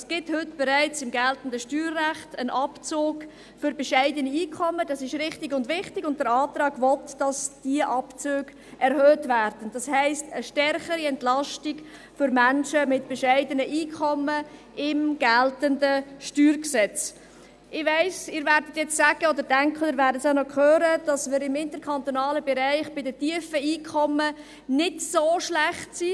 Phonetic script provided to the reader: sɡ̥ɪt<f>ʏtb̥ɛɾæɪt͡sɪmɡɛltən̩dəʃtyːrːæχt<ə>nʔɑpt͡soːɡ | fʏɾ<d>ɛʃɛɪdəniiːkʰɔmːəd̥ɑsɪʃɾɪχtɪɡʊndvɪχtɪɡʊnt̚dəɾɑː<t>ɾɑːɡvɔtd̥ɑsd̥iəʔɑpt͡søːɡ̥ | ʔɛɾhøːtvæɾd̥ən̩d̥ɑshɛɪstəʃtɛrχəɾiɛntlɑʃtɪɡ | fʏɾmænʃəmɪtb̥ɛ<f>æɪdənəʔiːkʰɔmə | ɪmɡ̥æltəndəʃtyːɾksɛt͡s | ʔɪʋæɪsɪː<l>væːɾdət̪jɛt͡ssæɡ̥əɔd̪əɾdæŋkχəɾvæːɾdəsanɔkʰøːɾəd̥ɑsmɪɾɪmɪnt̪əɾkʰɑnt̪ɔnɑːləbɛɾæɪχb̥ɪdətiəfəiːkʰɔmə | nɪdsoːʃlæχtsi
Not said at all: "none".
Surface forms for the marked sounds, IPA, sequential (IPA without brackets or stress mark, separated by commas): h, ə, b, t, ʃ, ɾ